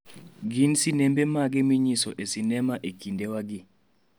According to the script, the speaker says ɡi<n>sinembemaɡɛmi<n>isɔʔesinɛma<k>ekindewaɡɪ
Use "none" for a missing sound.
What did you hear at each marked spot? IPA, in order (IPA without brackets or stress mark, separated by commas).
n, ɲ, ʔ